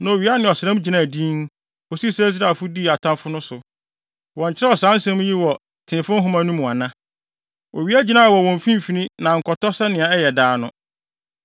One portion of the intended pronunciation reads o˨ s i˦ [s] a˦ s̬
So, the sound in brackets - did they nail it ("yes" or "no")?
yes